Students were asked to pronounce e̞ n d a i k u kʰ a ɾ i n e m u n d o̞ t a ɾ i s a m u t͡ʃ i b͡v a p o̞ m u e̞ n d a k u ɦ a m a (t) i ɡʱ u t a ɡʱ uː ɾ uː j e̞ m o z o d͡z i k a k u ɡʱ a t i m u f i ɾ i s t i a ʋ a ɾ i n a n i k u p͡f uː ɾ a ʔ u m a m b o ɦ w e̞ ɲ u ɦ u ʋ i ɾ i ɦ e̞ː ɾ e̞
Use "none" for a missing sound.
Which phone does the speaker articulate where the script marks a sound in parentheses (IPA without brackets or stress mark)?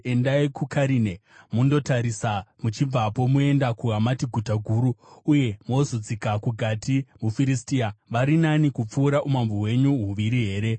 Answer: t